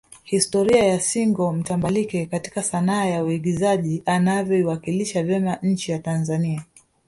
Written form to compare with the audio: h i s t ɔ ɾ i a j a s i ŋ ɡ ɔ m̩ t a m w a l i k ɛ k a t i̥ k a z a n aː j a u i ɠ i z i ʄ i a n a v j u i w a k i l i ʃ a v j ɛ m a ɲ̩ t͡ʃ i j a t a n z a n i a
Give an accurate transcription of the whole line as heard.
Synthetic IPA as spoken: h i s t ɔ ɾ i a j a s i ŋ ɡ ɔ m̩ t a m b a l i k ɛ k a t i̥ k a s a n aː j a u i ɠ i z a ʄ i a n a v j ɔ i w a k i l i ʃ a v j ɛ m a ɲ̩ t͡ʃ i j a t a n z a n i a